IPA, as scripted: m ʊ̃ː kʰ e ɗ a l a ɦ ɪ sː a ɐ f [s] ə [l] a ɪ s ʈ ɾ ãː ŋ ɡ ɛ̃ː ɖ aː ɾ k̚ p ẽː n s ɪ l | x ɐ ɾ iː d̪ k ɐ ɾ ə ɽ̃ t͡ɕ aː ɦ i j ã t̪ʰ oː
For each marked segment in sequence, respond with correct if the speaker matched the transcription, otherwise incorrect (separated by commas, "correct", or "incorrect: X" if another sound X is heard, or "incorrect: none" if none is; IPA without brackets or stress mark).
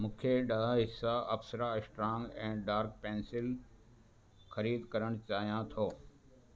correct, incorrect: ɾ